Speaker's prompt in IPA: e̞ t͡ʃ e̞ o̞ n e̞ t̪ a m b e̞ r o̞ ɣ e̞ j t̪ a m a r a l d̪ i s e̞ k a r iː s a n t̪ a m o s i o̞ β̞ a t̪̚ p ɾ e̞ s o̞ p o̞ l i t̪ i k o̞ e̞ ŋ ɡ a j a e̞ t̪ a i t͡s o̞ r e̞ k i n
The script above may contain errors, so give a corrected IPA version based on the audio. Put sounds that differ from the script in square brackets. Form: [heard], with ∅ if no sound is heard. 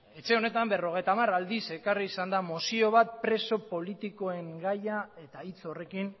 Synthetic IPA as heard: e̞ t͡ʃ e̞ o̞ n e̞ t̪ a m b e̞ r o̞ ɣ e̞ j t̪ a m a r a l d̪ i s e̞ k a r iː s a n [d̪] a m o s i o̞ β̞ a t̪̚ p ɾ e̞ s o̞ p o̞ l i t̪ i k o̞ e̞ ŋ ɡ a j a e̞ t̪ a i t͡s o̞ r e̞ k i n